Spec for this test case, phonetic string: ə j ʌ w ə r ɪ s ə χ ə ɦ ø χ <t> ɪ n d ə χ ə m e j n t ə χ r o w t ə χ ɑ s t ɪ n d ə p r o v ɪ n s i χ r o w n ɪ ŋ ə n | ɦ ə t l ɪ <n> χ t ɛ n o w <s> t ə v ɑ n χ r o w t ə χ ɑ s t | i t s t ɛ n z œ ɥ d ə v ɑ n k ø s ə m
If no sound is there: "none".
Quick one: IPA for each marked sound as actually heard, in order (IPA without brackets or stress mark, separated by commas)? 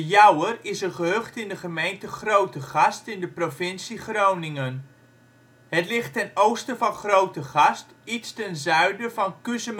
t, none, s